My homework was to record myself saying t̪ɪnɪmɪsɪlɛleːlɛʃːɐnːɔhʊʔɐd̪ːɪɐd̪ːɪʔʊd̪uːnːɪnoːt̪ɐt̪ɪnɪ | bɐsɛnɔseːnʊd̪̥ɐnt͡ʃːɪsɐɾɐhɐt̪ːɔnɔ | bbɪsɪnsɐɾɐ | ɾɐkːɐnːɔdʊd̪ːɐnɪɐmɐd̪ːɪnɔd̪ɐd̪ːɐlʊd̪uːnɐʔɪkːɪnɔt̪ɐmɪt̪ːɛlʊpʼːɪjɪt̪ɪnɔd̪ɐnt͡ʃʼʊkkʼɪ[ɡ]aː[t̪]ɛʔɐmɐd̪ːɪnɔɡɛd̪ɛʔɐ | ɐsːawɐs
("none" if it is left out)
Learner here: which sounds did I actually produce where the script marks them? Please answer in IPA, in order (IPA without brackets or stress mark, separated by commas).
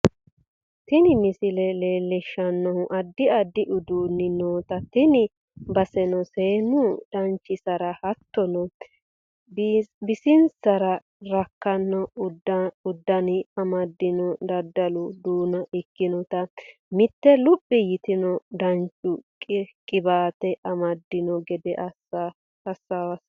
b, t̪